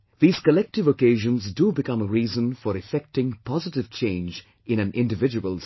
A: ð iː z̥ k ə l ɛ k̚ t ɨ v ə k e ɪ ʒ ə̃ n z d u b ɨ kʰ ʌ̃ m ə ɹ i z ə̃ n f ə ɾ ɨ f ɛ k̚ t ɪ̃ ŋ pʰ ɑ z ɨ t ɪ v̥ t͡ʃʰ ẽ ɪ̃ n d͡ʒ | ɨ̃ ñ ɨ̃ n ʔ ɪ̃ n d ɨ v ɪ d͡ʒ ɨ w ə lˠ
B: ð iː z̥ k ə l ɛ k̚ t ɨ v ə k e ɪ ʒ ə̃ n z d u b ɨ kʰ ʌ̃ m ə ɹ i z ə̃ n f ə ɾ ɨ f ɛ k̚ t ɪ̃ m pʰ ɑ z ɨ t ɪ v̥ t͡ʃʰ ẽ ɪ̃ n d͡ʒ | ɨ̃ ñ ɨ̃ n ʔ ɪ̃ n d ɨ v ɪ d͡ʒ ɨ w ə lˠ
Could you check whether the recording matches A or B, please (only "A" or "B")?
A